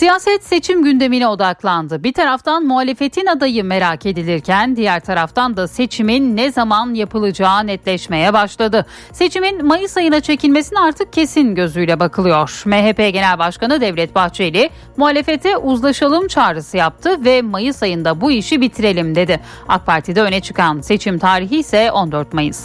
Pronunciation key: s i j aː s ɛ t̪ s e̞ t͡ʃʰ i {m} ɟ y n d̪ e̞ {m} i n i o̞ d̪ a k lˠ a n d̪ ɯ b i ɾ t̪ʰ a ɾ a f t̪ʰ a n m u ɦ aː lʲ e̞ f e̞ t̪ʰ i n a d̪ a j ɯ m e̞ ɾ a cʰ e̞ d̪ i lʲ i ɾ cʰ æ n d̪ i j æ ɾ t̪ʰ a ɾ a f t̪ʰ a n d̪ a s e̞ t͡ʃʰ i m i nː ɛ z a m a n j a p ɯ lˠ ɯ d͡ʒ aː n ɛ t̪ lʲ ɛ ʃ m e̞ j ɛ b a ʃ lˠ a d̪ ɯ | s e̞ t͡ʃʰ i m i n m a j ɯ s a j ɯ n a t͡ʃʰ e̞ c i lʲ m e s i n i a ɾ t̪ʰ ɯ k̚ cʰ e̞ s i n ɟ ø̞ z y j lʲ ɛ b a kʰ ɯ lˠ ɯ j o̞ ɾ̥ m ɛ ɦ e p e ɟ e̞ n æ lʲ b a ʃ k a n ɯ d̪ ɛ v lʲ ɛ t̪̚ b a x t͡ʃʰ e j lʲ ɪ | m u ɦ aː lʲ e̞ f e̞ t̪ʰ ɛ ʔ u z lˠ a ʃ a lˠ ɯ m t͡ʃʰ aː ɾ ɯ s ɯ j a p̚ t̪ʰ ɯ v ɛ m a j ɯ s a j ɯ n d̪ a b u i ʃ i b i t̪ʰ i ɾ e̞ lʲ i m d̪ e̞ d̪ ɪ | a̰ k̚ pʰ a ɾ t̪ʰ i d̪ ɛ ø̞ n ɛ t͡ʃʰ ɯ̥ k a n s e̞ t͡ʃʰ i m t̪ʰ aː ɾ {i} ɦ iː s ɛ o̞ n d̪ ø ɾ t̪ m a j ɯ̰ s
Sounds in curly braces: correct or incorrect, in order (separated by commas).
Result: correct, correct, correct